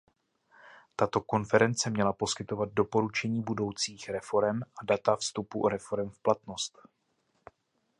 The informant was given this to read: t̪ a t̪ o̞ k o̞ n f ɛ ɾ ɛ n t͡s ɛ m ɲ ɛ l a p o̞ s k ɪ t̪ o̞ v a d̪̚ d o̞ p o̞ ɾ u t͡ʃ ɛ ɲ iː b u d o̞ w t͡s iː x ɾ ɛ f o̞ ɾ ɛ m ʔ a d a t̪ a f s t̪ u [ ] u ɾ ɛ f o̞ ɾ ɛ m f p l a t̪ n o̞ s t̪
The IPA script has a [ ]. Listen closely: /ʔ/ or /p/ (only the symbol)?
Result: p